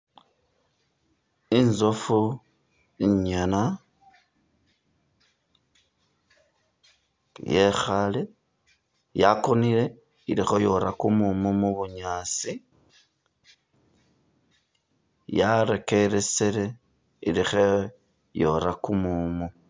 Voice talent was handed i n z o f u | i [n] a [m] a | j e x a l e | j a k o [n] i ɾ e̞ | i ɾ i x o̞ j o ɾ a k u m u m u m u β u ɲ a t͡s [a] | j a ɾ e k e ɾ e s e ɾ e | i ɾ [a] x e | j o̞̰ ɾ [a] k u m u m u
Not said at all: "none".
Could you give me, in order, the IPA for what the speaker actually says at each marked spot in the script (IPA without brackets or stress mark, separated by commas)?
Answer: ɲ, n, n, i, i, a